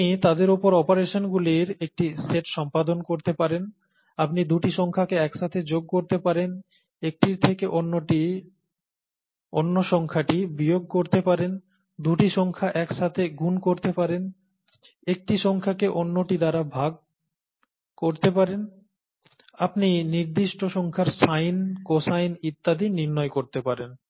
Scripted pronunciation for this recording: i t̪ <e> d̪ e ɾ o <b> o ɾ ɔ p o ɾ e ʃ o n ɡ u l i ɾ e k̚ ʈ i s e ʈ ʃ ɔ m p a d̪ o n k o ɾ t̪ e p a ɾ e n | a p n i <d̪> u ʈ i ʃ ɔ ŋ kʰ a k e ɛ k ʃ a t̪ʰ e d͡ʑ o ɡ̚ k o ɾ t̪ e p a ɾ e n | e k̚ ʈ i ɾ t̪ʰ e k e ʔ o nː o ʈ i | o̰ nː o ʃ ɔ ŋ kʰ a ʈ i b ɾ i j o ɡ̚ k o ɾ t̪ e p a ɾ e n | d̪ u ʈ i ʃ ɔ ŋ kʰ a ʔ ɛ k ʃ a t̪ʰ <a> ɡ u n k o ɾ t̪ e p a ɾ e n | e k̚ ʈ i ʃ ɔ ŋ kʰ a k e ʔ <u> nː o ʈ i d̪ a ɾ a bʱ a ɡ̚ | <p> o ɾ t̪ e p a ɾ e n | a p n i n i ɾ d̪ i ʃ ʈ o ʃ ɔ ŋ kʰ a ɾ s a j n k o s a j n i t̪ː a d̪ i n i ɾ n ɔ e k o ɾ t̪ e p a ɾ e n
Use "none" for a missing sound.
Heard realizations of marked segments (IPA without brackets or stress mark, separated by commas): a, p, d̪, e, o, k